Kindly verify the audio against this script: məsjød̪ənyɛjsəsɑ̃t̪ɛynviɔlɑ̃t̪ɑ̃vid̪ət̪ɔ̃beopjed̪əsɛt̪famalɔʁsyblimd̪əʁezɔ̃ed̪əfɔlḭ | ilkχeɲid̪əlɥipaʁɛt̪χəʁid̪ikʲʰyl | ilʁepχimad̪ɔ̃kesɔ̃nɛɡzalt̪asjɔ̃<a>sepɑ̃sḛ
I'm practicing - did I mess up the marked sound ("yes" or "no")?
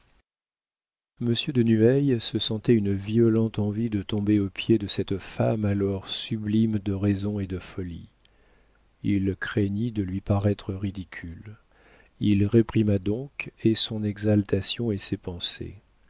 yes